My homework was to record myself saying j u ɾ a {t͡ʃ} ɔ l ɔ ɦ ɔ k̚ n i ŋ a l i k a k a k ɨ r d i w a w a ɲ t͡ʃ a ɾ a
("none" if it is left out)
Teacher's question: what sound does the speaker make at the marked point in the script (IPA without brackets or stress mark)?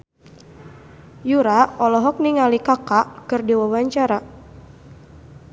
none